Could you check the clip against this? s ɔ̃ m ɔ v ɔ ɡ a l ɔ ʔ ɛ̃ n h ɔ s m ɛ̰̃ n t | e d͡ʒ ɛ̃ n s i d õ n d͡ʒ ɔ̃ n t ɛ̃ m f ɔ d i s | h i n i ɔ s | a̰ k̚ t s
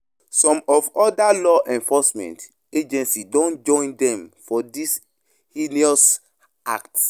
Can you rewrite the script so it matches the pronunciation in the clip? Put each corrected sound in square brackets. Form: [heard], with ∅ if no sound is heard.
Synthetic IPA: s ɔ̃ m ɔ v ɔ [d] a l ɔ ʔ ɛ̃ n [f] ɔ s m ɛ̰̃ n t | e d͡ʒ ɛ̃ n s i d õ n d͡ʒ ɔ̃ n [d] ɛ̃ m f ɔ d i s | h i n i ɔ s | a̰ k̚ t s